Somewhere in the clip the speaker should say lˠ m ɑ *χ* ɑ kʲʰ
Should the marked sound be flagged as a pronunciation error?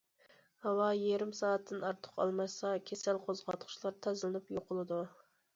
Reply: yes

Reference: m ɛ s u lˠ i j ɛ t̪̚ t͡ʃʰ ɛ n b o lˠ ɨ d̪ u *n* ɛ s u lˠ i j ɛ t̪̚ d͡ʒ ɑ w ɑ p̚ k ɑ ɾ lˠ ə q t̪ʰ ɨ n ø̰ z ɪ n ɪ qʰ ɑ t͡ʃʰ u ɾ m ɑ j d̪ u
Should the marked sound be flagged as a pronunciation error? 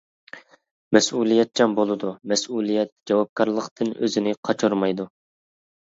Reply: yes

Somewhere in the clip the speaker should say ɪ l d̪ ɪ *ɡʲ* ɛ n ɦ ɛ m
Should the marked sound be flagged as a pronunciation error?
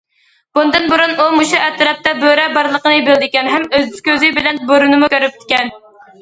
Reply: yes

